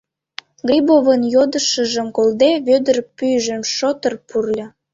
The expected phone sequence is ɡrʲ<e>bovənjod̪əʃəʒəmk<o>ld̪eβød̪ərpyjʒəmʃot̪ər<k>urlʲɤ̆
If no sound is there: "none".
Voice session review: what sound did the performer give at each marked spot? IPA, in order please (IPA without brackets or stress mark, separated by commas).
i, o, p